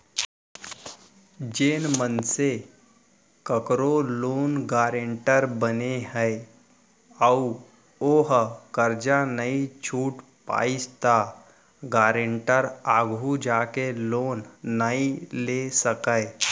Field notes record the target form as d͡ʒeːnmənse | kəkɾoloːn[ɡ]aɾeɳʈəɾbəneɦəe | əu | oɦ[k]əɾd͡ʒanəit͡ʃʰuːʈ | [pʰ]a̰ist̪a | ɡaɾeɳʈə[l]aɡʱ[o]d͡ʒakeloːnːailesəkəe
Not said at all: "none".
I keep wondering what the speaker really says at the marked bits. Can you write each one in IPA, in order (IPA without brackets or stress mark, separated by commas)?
ɡ, k, p, ɾ, u